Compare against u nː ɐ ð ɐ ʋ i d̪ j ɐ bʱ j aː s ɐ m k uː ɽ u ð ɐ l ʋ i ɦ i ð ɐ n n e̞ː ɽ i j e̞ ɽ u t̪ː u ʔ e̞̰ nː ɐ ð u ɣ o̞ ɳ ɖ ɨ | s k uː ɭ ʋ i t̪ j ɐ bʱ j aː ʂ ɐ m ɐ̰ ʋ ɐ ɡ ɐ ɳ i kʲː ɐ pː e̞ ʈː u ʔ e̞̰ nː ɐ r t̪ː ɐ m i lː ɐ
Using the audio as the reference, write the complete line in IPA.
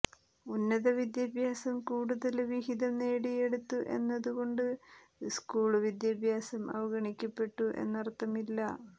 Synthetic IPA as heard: u nː ɐ ð ɐ ʋ i d̪ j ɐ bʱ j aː s ɐ m k uː ɽ u ð ɐ l ʋ i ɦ i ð ɐ m n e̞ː ɽ i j e̞ ɽ u t̪ː u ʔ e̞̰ nː ɐ ð u ɣ o̞ ɳ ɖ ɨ | s k uː ɭ ʋ i d̪ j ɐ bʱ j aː s ɐ m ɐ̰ ʋ ɐ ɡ ɐ ɳ i kʲː ɐ pː e̞ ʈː u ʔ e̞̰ nː ɐ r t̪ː ɐ m i lː ɐ